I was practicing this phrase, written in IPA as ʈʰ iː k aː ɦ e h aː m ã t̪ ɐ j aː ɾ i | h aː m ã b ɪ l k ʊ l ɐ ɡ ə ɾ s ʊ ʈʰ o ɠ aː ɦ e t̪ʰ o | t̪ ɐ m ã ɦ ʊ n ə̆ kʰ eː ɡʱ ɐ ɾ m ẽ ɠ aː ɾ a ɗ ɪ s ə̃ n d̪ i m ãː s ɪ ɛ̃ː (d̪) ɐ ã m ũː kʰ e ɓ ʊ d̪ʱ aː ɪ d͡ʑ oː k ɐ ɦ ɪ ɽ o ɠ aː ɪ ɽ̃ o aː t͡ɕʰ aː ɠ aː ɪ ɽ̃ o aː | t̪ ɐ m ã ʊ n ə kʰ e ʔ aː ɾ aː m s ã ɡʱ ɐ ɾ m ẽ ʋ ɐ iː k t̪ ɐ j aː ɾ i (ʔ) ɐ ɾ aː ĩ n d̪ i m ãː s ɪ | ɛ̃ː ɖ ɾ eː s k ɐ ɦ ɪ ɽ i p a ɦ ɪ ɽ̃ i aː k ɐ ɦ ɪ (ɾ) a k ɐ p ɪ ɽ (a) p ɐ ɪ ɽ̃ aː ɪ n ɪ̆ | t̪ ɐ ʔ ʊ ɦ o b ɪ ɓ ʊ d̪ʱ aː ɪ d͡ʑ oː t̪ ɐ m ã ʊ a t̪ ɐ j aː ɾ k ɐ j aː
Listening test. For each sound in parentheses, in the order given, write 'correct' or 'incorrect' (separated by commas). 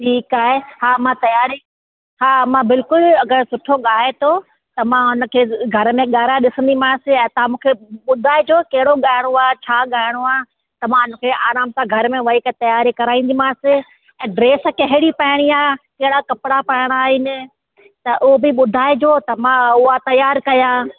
incorrect, incorrect, incorrect, correct